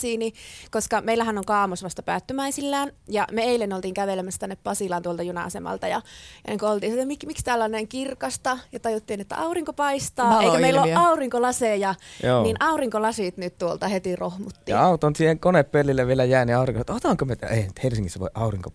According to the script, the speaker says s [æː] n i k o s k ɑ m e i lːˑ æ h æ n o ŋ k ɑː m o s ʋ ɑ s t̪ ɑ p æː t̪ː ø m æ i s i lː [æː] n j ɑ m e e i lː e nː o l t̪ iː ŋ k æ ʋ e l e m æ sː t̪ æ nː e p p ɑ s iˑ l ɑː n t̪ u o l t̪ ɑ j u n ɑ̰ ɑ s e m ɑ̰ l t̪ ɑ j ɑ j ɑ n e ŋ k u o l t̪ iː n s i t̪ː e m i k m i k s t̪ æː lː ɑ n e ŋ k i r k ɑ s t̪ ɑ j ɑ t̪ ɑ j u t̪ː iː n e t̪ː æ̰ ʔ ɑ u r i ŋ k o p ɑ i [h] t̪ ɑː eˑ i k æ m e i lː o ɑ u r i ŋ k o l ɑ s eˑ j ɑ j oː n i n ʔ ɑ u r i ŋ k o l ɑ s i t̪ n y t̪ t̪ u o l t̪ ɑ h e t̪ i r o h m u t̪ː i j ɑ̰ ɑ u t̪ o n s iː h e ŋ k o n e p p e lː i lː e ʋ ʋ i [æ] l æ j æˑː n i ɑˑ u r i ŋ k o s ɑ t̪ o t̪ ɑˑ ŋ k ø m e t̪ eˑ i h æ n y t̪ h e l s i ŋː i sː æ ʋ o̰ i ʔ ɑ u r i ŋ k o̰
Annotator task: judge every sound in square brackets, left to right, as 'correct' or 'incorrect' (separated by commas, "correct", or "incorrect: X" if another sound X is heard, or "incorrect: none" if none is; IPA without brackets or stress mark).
incorrect: iː, correct, incorrect: s, incorrect: e